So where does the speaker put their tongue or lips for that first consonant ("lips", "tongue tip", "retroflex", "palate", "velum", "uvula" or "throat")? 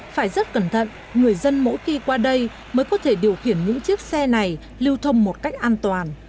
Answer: lips